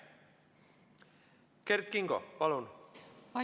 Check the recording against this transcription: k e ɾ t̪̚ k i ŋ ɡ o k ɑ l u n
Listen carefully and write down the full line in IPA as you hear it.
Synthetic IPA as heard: k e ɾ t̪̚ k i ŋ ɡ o p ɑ l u n